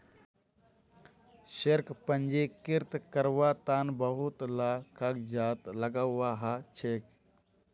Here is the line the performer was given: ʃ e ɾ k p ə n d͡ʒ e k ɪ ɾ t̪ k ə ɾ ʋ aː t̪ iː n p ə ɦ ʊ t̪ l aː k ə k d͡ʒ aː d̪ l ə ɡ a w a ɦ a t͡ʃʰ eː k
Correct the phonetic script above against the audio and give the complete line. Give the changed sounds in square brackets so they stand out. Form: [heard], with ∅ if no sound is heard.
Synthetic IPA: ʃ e ɾ k p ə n d͡ʒ e k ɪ ɾ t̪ k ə ɾ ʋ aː t̪ [aː] n [b] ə ɦ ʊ t̪ l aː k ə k d͡ʒ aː [t̪] l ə ɡ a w a ɦ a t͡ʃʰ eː k